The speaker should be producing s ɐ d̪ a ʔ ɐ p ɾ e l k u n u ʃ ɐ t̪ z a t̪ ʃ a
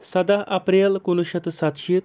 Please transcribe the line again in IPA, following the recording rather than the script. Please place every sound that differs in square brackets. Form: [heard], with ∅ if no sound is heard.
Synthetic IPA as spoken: s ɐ d̪ a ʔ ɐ p ɾ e l k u n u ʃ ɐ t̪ [s] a t̪ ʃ [i]

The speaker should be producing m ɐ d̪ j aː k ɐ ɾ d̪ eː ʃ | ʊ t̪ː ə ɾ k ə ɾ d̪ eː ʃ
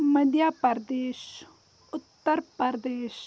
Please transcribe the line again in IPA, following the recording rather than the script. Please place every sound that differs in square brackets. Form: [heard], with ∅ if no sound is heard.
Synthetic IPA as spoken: m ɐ d̪ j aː [p] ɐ ɾ d̪ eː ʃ | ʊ t̪ː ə ɾ [p] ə ɾ d̪ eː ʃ

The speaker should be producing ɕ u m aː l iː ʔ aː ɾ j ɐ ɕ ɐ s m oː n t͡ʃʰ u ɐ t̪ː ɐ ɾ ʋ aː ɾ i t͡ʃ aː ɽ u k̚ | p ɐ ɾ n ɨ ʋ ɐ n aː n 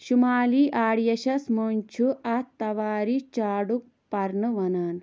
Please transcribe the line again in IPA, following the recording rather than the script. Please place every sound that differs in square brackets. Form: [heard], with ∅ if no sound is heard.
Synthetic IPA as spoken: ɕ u m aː l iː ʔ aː [ɽ] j ɐ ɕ ɐ s m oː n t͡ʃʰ u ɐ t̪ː ɐ [∅] ʋ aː ɾ i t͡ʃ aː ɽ u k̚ | p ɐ ɾ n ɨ ʋ ɐ n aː n

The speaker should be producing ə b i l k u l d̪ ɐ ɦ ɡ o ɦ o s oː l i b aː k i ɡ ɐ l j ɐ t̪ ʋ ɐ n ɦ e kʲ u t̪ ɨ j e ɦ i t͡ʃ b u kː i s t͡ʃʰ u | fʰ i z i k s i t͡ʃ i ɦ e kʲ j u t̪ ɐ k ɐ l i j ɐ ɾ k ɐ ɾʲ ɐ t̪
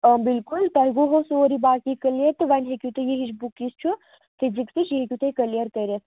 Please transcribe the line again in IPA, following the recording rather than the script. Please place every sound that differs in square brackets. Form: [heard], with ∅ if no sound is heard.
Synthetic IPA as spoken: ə b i l k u l [t̪] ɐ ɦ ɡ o ɦ o s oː [ɾ] i b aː k i [k] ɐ l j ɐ t̪ ʋ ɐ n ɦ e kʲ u t̪ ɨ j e ɦ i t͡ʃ b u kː i s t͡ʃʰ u | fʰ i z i k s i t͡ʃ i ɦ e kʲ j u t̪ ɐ k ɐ l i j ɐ ɾ k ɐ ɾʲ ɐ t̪

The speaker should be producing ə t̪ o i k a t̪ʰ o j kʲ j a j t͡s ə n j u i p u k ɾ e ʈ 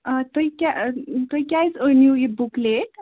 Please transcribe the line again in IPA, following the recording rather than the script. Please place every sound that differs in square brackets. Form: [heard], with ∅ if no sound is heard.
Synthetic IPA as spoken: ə t̪ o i k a [t̪] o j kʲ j a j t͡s ə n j u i [b] u k [l] e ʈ

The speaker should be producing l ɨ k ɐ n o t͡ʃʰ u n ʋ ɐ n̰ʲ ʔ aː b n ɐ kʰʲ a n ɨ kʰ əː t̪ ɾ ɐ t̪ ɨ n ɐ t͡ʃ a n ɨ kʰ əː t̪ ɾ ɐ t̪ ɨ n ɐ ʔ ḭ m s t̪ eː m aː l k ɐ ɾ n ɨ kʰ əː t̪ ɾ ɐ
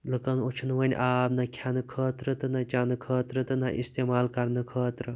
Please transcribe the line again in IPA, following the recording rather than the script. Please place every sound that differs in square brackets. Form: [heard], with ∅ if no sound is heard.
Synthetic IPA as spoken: l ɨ k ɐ n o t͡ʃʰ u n ʋ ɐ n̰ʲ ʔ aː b n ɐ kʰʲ a n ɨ kʰ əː t̪ ɾ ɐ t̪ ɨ n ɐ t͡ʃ a n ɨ kʰ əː t̪ ɾ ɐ t̪ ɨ n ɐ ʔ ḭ [∅] s t̪ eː m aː l k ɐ ɾ n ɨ kʰ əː t̪ ɾ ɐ

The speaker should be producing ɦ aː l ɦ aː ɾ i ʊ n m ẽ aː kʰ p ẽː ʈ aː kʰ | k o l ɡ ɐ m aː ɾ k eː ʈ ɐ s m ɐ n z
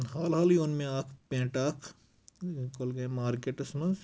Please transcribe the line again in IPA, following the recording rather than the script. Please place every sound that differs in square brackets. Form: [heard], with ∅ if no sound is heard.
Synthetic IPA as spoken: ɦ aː l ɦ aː [l] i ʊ n m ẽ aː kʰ p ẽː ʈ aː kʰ | k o l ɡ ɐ m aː ɾ k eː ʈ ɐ s m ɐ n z

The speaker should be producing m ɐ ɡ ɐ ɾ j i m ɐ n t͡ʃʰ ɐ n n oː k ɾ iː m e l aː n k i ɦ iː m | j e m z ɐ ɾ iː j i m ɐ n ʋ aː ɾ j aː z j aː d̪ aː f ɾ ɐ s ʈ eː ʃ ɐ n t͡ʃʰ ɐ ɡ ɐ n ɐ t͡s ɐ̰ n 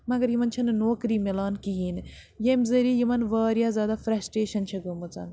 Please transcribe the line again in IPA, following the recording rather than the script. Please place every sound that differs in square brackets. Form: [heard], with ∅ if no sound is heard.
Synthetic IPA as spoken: m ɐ ɡ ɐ ɾ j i m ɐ n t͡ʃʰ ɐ n n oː k ɾ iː m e l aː n k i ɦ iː [n] | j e m z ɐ ɾ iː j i m ɐ n ʋ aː ɾ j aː z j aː d̪ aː f ɾ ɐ s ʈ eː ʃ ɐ n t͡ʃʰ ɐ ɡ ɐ [m] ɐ t͡s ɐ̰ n

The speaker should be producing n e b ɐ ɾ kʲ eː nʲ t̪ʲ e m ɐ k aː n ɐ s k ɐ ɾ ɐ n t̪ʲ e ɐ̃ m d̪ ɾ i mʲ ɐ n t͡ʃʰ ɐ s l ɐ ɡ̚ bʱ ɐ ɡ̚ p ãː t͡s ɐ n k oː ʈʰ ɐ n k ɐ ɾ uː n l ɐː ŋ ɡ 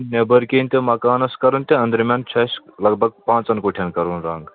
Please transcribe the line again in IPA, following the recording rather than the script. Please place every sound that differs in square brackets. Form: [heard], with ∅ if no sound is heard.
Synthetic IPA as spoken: n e b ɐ ɾ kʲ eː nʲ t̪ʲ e m ɐ k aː n ɐ s k ɐ ɾ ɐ n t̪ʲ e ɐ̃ [n] d̪ ɾ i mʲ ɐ n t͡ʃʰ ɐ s l ɐ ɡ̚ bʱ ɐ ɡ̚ p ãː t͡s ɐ n k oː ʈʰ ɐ n k ɐ ɾ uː n [ɾ] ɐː ŋ ɡ

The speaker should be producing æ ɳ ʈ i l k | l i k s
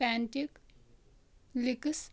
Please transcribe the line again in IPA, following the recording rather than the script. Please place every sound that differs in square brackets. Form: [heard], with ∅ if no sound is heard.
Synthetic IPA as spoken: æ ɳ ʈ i [∅] k | l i k s

